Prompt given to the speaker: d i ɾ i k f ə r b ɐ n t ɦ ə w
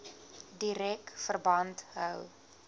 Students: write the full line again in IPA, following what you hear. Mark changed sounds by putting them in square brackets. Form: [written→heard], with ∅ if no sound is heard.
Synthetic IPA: d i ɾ [i→ɛ] k f ə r b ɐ n t ɦ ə w